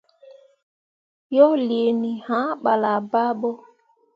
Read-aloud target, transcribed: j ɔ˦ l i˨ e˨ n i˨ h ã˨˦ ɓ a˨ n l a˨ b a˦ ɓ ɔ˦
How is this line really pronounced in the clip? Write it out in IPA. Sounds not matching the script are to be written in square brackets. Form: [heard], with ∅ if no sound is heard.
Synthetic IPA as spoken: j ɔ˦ l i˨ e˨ n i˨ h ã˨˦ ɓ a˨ [∅] l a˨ b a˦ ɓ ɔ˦